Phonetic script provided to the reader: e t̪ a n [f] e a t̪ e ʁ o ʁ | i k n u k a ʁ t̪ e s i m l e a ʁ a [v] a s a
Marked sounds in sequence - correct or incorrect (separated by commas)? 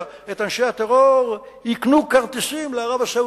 incorrect, correct